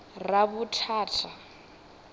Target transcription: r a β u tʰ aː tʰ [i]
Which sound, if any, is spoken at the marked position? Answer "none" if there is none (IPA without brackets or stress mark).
a